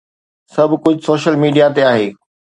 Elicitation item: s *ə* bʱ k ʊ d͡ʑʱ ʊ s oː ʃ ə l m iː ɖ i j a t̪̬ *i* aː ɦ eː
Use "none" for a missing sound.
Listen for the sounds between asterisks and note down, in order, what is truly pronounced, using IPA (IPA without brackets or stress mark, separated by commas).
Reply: ɐ, e